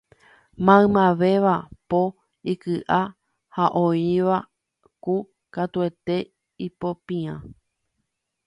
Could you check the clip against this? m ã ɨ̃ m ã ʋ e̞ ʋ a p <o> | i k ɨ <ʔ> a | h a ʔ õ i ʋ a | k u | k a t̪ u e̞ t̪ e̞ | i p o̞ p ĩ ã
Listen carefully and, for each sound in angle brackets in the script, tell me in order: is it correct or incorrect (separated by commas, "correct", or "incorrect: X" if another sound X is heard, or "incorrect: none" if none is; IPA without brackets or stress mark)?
correct, correct